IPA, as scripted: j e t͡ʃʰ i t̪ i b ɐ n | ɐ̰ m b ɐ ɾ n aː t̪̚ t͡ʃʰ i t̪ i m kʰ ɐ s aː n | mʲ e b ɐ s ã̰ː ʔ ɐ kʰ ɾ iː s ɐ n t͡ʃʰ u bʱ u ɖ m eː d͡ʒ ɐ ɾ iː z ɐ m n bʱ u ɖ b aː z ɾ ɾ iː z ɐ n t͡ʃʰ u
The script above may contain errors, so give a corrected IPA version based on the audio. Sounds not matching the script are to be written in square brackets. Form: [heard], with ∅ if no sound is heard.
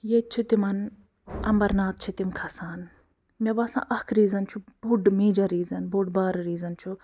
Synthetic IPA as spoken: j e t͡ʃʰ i t̪ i [m] ɐ n | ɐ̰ m b ɐ ɾ n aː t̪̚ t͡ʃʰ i t̪ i m kʰ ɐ s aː n | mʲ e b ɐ s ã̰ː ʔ ɐ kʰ ɾ iː [z] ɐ n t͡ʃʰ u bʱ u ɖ m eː d͡ʒ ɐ ɾ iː z ɐ [∅] n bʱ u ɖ b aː [∅] ɾ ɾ iː z ɐ n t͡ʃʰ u